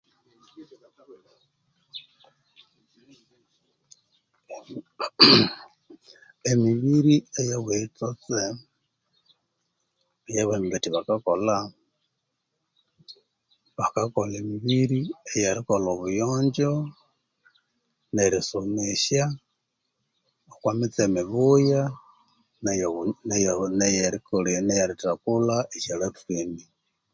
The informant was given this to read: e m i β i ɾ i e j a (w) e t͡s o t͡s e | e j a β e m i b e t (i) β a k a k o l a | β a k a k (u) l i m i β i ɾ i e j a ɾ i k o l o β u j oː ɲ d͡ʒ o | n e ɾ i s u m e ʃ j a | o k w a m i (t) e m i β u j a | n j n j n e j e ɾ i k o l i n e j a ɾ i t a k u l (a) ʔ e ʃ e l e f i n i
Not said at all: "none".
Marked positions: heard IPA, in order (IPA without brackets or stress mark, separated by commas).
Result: w, i, o, t͡s, a